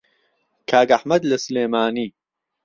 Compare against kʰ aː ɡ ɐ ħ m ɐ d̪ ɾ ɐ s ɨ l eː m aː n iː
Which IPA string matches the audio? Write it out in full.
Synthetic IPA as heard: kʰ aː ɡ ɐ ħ m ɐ d̪ l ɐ s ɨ l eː m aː n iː